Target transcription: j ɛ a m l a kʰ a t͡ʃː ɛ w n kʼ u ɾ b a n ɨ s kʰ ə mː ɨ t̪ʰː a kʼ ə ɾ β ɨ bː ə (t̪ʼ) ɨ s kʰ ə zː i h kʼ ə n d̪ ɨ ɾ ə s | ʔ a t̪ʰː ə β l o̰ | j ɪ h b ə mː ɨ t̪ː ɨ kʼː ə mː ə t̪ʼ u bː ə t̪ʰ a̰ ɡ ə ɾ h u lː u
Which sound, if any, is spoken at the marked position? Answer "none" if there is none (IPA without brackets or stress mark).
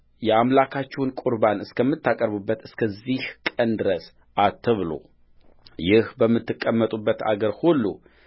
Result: t̪